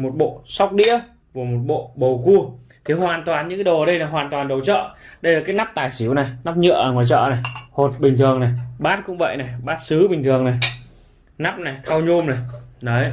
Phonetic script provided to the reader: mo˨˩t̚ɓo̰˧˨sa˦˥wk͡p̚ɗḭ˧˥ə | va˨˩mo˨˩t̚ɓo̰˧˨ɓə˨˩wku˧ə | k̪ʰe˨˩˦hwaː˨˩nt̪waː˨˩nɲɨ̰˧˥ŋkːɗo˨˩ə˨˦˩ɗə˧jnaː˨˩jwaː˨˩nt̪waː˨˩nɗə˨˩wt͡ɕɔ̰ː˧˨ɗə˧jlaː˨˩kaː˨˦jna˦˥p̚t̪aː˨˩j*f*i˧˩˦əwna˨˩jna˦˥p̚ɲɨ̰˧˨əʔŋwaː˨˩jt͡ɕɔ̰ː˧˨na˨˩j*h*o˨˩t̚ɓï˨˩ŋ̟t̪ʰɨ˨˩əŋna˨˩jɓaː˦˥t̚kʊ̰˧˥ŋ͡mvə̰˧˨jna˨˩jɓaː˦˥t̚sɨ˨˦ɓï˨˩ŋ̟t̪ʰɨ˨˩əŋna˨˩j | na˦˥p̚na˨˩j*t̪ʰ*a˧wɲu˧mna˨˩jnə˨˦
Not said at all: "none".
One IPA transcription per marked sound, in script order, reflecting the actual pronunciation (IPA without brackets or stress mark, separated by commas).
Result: s, h, t̪ʰ